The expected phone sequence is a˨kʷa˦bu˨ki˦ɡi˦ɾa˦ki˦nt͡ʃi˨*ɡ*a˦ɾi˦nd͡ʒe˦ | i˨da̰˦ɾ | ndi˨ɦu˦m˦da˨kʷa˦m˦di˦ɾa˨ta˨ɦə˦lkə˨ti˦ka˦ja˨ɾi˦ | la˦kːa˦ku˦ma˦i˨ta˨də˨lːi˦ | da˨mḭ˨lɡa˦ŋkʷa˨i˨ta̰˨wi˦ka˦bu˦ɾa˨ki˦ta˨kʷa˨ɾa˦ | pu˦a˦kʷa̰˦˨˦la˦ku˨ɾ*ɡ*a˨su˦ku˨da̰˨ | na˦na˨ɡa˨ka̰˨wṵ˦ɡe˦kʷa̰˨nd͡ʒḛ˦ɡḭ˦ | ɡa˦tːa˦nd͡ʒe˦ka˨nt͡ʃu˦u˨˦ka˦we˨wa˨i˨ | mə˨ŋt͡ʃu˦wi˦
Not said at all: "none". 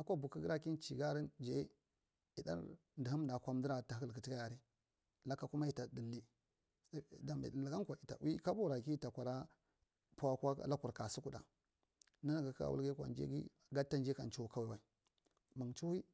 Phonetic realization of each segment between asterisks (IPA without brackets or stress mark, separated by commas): ɡ, k